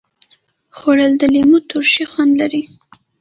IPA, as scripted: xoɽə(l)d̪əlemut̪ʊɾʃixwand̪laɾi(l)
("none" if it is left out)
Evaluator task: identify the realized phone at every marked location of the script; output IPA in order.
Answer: l, none

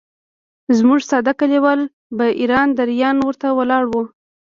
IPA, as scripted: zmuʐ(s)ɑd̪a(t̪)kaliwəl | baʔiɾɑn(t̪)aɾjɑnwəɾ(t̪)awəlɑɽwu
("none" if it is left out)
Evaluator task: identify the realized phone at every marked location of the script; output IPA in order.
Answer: s, none, d̪, t̪

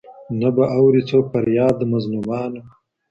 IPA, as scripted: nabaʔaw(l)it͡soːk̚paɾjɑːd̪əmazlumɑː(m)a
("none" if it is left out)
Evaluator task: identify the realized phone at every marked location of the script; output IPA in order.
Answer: ɾ, n

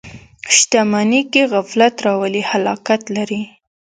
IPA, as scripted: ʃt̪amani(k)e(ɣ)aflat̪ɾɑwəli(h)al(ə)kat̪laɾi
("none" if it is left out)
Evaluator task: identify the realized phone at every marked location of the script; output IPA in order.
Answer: k, ɣ, h, ɑ

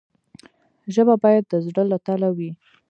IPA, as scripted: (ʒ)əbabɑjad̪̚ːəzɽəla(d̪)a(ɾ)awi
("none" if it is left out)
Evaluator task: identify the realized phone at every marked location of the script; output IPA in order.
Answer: ʒ, t̪, l

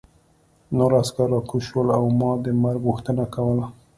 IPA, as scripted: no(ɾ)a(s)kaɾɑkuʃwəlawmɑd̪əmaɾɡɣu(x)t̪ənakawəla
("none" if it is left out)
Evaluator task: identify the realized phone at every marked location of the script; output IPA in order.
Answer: ɾ, s, x

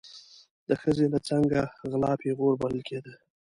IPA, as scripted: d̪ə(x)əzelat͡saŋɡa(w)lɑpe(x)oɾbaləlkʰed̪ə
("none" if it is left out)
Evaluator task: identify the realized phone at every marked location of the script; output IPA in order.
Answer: x, ɣ, ɣ

